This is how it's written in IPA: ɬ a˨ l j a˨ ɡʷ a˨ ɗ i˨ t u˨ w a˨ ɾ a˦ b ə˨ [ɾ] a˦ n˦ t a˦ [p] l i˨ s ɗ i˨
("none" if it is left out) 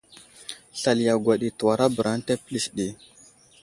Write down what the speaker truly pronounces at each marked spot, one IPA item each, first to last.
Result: ɾ, p

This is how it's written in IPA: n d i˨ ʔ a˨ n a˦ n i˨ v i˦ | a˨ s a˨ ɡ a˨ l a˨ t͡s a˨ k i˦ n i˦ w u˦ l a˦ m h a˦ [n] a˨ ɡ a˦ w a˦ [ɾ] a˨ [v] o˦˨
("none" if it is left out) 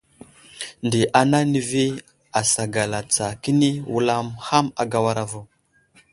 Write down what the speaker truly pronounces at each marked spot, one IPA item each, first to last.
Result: m, ɾ, v

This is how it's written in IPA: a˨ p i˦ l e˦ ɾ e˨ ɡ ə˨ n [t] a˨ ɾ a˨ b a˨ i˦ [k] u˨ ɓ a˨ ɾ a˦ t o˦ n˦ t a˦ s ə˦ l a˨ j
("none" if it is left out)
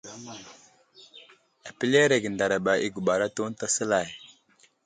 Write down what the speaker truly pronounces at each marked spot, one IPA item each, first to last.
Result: d, ɡ

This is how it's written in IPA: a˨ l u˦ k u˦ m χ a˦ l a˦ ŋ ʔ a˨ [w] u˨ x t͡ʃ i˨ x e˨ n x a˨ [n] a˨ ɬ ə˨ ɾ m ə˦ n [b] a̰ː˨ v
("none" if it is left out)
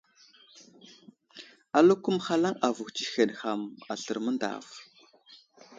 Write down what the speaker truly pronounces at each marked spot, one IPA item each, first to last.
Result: v, m, d

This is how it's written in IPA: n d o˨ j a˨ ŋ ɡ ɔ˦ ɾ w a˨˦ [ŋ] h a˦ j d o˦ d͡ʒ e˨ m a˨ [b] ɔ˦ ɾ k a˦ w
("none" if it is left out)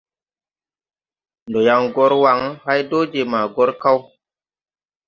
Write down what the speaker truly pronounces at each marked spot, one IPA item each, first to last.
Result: ŋ, ɡ

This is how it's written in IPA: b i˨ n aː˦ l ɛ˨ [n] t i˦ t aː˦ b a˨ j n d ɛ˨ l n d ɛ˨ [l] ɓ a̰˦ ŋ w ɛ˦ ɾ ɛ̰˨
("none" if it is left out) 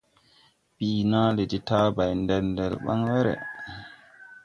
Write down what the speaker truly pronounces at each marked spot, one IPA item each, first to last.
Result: none, l

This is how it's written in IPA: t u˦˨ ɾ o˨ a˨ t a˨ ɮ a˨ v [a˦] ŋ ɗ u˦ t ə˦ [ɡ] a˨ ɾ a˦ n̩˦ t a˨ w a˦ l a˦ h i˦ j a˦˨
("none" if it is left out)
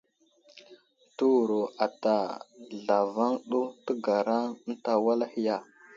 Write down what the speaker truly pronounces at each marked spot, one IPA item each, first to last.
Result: a˦, ɡ

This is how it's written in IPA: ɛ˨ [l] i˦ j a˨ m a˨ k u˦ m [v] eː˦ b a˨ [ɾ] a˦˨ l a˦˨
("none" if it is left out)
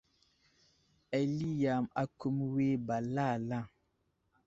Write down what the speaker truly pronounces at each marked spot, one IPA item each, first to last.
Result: l, w, l

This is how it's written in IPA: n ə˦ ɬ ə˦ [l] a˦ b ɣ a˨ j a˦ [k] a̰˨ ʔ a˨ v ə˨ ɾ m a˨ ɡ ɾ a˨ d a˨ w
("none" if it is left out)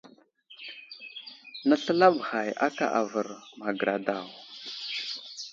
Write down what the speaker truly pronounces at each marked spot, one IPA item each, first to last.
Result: l, k

